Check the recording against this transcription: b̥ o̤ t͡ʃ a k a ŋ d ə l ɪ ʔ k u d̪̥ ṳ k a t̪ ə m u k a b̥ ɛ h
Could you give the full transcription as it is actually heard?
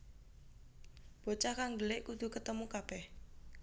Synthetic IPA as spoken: b̥ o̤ t͡ʃ a k a ŋ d ə l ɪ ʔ k u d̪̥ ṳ k ə t̪ ə m u k a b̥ ɛ h

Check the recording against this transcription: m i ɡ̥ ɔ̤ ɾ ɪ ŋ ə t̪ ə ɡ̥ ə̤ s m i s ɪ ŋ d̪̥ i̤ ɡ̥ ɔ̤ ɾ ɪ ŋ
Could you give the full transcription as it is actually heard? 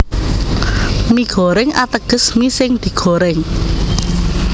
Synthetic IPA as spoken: m i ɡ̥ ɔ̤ ɾ ɪ ŋ a t̪ ə ɡ̥ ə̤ s m i s ɪ ŋ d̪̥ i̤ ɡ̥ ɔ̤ ɾ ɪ ŋ

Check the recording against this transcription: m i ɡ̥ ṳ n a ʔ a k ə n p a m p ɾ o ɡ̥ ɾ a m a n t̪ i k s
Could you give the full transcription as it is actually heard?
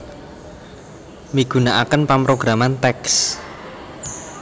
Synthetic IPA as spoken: m i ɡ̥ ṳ n a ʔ a k ə n p a m p ɾ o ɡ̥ ɾ a m a n t̪ ɛ k s

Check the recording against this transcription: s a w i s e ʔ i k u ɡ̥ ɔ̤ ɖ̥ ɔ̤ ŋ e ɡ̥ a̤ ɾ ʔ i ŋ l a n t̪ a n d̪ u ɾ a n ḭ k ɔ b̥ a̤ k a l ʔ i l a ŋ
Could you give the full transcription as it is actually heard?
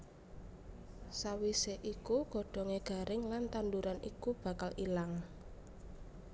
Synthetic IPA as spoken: s a w i s e ʔ i k u ɡ̥ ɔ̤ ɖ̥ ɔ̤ ŋ e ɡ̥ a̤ ɾ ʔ ɪ ŋ l a n t̪ a n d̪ u ɾ a n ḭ k u b̥ a̤ k a l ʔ i l a ŋ

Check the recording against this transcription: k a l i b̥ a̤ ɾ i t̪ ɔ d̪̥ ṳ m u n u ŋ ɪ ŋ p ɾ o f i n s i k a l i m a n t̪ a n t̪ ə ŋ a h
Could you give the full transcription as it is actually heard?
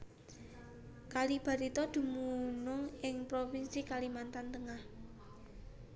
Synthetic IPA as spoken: k a l i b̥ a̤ ɾ i t̪ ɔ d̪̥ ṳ m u n ʊ ŋ ɪ ŋ p ɾ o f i n s i k a l i m a n t̪ a n t̪ ə ŋ a h

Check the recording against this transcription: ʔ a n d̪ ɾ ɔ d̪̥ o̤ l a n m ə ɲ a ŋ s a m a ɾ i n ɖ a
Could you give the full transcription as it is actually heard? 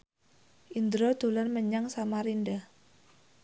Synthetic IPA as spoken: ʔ i n d̪ ɾ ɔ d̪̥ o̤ l a n m ə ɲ a ŋ s a m a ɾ i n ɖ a

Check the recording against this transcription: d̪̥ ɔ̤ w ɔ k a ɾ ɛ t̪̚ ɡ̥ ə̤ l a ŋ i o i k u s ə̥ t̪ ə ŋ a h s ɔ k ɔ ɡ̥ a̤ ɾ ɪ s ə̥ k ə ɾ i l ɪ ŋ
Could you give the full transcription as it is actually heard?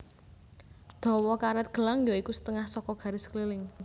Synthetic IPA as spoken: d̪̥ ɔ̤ w ɔ k a ɾ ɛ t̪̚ ɡ̥ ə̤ l a ŋ j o i k u s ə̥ t̪ ə ŋ a h s ɔ k ɔ ɡ̥ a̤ ɾ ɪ s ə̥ k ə l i l ɪ ŋ

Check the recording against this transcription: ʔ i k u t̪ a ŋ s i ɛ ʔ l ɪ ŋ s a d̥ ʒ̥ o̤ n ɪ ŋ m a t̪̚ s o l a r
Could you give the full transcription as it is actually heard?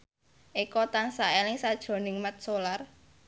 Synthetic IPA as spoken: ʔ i k ɔ t̪ a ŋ s a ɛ l ɪ ŋ s a d̥ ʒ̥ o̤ n ɪ ŋ m a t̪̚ s o l a r

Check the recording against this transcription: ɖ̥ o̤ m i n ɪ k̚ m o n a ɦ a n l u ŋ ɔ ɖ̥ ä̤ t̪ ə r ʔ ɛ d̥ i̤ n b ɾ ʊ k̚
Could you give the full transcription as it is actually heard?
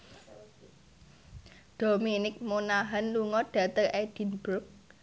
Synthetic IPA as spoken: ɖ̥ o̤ m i n ɪ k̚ m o n a ɦ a n l u ŋ ɔ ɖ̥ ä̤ t̪ ə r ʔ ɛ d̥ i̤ n b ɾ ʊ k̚

